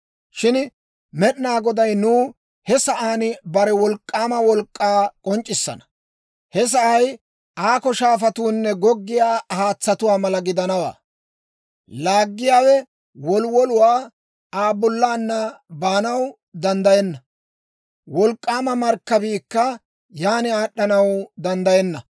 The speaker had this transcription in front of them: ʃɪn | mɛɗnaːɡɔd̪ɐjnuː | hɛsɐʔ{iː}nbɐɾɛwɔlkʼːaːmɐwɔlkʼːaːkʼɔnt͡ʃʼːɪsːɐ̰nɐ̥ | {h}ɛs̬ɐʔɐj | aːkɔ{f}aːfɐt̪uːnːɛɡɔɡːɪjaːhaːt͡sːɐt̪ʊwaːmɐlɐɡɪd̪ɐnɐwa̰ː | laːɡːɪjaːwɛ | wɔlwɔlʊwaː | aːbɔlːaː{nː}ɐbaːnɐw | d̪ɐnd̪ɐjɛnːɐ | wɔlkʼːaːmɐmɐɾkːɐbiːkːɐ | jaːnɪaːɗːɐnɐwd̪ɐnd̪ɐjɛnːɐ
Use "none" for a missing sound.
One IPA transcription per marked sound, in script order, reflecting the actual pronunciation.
aː, h, ʃ, nː

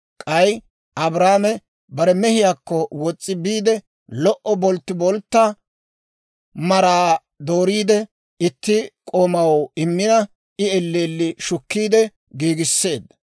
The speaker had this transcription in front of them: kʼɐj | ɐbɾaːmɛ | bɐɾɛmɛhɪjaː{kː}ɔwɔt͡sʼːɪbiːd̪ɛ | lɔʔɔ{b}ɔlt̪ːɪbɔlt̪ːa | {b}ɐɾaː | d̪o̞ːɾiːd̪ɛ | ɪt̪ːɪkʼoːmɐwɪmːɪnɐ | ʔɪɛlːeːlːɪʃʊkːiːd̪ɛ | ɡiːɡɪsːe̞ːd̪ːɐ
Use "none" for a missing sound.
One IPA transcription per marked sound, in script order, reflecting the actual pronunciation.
kː, b, m

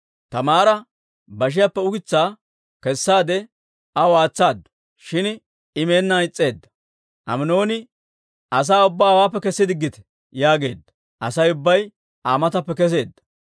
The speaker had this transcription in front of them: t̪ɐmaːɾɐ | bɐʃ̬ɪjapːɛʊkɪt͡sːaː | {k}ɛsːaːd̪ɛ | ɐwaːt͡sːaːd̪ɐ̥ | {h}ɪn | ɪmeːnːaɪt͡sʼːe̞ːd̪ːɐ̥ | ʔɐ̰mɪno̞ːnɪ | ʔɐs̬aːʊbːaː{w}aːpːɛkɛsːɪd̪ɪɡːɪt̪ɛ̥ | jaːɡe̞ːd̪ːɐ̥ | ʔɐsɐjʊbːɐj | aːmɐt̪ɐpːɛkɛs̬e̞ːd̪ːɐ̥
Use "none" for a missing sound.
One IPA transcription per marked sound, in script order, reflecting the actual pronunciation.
k, ʃ, w

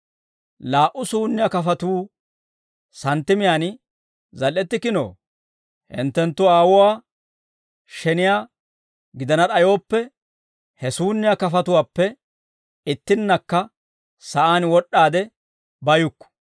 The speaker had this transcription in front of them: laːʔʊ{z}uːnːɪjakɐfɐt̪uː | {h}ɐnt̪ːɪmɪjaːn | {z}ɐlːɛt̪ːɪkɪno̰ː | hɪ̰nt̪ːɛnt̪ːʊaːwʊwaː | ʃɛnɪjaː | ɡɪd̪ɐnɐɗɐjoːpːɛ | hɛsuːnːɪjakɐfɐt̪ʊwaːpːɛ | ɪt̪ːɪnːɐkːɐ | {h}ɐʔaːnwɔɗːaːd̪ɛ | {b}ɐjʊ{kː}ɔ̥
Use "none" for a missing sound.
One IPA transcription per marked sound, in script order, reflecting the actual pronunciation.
s, s, z, s, b, kː

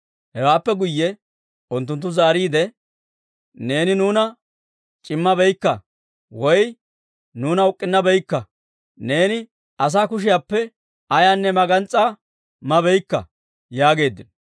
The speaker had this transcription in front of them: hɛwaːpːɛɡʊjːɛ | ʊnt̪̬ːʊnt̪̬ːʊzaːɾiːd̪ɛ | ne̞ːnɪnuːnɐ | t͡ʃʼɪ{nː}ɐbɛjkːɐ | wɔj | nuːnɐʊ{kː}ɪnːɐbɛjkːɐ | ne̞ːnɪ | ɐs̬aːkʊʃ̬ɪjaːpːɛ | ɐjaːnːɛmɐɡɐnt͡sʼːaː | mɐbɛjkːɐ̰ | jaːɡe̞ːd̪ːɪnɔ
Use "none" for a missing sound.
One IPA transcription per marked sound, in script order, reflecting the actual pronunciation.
mː, kʼː

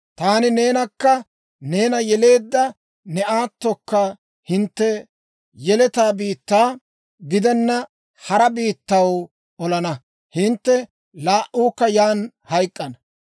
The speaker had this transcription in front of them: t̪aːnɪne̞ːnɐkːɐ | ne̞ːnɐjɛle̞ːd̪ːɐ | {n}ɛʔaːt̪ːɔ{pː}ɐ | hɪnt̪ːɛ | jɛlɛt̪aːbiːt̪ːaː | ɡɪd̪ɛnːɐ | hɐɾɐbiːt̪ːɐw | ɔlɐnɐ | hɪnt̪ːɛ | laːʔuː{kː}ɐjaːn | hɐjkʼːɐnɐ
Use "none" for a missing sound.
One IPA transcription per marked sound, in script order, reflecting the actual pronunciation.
n, kː, kː

